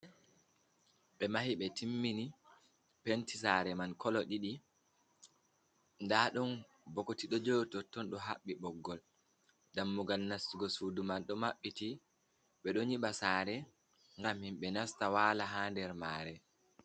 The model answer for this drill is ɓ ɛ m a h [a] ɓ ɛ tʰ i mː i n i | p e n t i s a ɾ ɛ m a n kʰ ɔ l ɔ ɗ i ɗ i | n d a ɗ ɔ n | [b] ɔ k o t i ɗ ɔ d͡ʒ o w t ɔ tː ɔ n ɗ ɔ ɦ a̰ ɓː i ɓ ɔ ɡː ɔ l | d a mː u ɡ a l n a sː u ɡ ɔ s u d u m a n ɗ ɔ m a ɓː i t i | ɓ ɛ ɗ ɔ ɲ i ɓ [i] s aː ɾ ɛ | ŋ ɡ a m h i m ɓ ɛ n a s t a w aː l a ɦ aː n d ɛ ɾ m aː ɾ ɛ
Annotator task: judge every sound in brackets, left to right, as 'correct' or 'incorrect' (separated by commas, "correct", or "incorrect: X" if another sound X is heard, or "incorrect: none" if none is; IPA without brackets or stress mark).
incorrect: i, correct, incorrect: a